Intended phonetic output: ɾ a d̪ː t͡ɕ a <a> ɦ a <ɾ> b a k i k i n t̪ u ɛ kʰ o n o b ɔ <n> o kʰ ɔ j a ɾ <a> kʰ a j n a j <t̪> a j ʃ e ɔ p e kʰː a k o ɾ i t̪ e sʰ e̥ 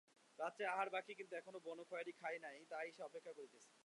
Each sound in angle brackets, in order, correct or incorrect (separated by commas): correct, correct, correct, incorrect, correct